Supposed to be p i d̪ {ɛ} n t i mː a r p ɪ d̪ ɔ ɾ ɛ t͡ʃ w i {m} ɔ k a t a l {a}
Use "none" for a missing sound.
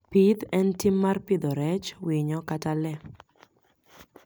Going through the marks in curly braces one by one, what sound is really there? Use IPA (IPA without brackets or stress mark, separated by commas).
ɛ, ɲ, ɛ